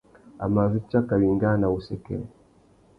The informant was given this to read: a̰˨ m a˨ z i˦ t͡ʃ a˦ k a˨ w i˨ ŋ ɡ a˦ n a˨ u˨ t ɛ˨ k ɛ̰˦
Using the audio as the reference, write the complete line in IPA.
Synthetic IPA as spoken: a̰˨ m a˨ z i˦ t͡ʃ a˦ k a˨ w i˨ ŋ ɡ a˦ n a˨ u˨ s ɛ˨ k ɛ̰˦